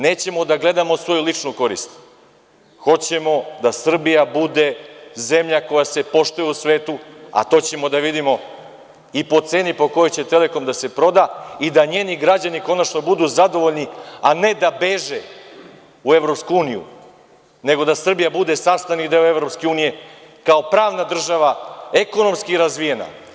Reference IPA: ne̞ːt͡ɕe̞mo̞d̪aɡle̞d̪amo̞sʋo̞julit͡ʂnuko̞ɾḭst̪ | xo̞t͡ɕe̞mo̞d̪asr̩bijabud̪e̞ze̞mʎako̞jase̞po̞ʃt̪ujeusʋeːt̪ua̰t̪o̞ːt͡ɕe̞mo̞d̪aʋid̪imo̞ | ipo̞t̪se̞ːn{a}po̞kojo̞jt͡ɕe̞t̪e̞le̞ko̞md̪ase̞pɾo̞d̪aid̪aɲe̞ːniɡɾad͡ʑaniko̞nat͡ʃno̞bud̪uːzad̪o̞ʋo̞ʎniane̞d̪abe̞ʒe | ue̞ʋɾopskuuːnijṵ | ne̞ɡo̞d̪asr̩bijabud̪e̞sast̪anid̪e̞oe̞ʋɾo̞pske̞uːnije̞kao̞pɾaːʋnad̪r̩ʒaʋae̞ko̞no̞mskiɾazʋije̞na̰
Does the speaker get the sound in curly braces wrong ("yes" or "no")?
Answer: yes